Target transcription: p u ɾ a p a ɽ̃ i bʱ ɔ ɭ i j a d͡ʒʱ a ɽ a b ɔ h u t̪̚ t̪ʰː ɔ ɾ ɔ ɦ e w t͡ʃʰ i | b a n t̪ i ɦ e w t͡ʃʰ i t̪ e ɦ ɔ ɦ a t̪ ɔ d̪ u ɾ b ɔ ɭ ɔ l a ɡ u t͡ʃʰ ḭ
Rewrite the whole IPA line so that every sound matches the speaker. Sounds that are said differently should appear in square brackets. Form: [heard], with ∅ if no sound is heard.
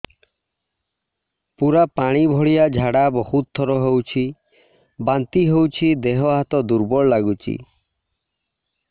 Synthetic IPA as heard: p u ɾ a p a ɽ̃ i bʱ ɔ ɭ i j a d͡ʒʱ a ɽ a b ɔ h u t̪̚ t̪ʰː ɔ ɾ ɔ ɦ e w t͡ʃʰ i | b a n t̪ i ɦ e w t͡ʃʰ i [d̪] e ɦ ɔ ɦ a t̪ ɔ d̪ u ɾ b ɔ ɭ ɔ l a ɡ u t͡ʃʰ ḭ